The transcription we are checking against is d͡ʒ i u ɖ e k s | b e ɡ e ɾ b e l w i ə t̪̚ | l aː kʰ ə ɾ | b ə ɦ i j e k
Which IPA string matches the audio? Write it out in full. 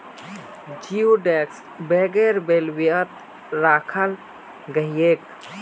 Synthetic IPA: d͡ʒ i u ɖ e k s | b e ɡ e ɾ b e l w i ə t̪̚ | ɾ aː kʰ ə l | ɡ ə ɦ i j e k

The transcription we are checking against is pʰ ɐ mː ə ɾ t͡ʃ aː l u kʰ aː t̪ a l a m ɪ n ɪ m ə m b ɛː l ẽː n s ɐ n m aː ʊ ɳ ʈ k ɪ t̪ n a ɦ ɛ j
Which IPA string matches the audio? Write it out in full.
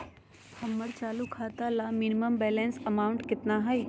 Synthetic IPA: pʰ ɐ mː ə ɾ t͡ʃ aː l u kʰ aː t̪ a l a m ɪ n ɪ m ə m b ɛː l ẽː n s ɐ m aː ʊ ɳ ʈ k ɪ t̪ n a ɦ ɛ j

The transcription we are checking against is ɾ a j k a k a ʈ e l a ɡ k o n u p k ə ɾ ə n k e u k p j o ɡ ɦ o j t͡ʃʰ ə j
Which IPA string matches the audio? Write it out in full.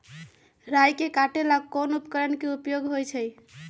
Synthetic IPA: ɾ a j k e k a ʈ e l a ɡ k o n u p k ə ɾ ə n k e u p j o ɡ ɦ o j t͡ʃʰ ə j

